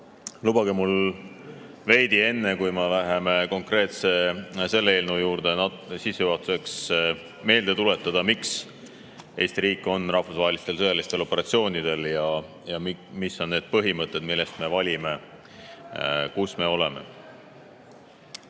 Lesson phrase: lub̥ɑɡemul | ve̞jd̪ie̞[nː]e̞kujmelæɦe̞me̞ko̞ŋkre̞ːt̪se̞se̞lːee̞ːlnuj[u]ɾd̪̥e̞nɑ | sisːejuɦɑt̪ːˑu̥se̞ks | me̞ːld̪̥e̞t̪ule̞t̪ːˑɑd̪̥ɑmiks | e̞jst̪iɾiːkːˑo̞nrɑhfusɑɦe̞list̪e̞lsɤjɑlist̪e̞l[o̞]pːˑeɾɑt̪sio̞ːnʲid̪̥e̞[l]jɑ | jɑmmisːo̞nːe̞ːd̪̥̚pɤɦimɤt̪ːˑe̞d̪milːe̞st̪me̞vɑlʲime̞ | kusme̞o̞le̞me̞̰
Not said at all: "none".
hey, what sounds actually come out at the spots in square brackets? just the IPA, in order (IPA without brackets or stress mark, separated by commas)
nː, uː, o̞, l